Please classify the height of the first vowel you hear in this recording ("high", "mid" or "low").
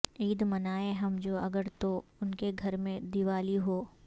high